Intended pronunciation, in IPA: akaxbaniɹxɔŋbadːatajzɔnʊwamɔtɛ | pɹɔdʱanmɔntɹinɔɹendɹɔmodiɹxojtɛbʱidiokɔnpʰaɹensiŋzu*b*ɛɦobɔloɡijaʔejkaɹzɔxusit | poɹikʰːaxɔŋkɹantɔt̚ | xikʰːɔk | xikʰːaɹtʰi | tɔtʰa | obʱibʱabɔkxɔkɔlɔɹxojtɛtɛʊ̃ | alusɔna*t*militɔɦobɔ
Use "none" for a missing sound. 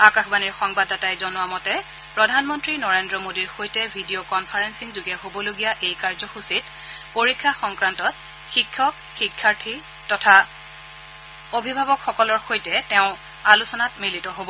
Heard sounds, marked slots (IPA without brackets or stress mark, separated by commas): ɡ, t